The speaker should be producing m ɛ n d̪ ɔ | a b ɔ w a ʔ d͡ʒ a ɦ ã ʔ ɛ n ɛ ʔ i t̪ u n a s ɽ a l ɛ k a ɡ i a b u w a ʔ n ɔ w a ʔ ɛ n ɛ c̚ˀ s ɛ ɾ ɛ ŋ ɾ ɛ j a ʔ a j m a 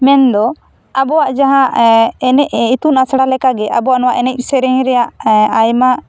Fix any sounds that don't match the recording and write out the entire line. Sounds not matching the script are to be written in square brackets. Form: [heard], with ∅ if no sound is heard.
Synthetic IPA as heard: m ɛ n d̪ ɔ | a b ɔ w a ʔ d͡ʒ a ɦ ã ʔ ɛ n ɛ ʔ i t̪ u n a s ɽ a l ɛ k a ɡ [ɛ] a b [ɔ] w a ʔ n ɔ w a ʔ ɛ n ɛ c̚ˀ s ɛ ɾ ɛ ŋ ɾ ɛ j a ʔ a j m a